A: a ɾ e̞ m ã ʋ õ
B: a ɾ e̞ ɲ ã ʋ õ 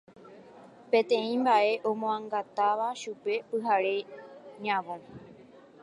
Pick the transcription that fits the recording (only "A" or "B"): B